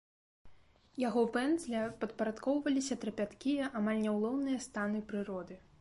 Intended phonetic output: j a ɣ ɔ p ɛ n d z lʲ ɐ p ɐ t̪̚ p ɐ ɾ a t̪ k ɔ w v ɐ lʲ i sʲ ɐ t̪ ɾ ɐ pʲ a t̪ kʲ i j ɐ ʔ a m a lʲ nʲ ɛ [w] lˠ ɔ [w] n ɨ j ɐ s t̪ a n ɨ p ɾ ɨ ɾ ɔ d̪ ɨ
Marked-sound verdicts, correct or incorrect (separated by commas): correct, correct